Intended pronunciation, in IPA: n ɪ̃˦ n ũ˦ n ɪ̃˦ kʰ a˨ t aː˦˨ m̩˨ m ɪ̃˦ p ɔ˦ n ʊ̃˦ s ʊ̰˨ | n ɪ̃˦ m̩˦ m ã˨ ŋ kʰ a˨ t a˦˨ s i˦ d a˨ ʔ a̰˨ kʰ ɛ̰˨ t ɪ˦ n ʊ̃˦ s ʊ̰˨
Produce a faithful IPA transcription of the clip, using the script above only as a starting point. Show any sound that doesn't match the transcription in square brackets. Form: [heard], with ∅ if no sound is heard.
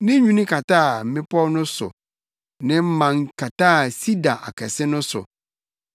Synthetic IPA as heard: n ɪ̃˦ [ɲ] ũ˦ n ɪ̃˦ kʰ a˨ t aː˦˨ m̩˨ m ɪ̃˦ p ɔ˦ n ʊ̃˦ s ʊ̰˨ | n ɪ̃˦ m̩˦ m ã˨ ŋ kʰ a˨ t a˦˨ s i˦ d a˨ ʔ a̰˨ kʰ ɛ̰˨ [s] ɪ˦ n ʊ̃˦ s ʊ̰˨